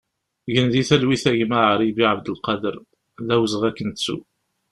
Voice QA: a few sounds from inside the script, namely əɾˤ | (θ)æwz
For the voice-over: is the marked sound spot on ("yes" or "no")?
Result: no